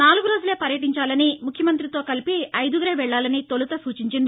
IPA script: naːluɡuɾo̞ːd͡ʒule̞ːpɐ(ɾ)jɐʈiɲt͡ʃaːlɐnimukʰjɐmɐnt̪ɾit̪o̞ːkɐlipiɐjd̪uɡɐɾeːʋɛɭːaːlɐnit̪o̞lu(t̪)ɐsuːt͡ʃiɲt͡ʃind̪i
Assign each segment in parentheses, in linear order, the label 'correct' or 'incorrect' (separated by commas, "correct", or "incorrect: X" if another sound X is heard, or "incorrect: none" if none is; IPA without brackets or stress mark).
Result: correct, correct